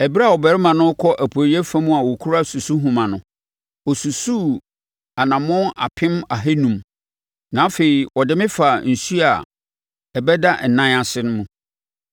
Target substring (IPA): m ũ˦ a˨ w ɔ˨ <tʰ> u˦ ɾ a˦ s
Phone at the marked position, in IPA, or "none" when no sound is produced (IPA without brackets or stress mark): kʰ